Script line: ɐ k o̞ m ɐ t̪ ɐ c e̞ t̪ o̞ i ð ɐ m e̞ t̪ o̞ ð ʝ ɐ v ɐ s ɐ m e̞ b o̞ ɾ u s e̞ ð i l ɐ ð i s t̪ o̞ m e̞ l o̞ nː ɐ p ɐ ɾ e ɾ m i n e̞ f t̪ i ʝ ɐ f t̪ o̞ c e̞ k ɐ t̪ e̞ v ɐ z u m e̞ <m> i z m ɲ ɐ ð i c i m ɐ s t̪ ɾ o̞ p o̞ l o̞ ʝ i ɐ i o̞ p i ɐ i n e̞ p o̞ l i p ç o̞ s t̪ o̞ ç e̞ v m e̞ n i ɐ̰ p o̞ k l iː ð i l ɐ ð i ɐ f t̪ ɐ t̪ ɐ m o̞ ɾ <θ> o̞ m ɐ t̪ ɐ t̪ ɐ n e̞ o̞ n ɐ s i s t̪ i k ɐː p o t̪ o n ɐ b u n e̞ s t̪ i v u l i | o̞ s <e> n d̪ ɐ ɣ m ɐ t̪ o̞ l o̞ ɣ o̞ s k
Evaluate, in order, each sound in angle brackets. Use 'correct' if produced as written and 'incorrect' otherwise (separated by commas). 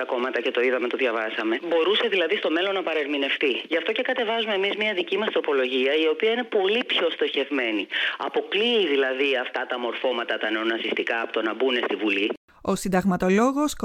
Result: correct, incorrect, incorrect